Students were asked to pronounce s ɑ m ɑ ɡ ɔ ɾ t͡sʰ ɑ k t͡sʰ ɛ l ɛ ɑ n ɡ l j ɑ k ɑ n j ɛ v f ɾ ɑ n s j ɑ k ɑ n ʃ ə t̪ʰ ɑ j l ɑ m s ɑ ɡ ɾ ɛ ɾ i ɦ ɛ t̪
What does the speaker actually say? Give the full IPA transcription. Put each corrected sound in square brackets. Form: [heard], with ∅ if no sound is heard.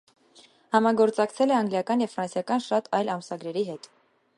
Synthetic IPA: [h] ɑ m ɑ ɡ ɔ ɾ [t͡s] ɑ k t͡sʰ ɛ l ɛ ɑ [ŋ] ɡ l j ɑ k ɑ n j ɛ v f ɾ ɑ n s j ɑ k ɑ n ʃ [ɑ] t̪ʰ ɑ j l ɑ m s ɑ ɡ ɾ ɛ ɾ i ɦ ɛ t̪